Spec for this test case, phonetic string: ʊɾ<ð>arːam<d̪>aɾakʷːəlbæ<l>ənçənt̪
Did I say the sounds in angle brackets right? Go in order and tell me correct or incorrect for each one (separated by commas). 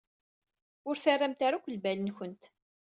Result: incorrect, incorrect, correct